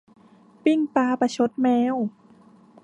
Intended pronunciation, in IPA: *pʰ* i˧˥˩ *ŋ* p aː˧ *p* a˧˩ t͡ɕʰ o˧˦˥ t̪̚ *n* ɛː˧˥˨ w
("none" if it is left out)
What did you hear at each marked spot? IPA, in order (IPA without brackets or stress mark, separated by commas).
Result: p, ŋ, p, m